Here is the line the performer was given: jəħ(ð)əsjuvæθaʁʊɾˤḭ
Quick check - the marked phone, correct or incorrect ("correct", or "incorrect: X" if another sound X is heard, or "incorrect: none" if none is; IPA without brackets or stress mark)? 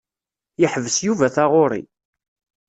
incorrect: v